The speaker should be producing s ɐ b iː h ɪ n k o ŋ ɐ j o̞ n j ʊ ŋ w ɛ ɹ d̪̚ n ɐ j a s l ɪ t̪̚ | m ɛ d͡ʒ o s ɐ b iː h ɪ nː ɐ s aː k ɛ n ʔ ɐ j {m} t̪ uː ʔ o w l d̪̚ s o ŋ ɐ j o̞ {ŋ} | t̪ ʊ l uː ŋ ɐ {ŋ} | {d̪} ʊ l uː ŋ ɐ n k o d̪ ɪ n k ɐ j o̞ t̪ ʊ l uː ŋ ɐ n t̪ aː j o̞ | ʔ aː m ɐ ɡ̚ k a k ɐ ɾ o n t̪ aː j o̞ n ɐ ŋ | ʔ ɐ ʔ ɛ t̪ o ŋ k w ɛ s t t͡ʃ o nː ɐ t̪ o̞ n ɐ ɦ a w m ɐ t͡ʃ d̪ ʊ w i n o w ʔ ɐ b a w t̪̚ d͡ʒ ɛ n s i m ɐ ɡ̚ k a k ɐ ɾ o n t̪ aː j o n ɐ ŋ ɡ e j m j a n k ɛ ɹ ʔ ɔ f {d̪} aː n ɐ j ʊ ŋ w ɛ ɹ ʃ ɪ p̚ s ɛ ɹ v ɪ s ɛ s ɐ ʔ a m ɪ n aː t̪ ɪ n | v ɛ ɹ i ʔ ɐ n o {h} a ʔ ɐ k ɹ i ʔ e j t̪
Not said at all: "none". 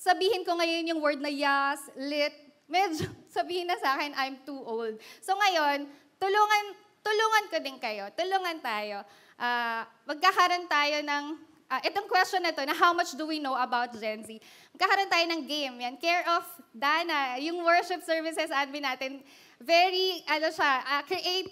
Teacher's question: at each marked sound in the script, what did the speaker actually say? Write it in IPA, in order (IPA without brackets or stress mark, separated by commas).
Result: m, n, n, t̪, d̪, ʃ